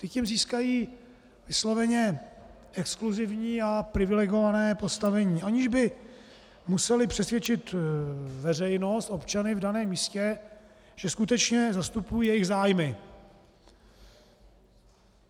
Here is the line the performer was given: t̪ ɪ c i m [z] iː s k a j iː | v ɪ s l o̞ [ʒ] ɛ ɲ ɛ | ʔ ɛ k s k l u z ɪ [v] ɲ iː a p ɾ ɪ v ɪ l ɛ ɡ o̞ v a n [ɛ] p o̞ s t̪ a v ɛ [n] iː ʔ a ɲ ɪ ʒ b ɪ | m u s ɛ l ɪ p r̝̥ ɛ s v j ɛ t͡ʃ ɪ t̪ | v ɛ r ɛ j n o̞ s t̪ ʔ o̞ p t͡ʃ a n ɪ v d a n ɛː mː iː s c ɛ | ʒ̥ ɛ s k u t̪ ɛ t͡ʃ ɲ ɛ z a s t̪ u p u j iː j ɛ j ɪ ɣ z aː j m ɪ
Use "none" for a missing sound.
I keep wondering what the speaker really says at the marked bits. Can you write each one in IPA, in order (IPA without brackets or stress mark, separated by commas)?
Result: z, v, v, ɛː, ɲ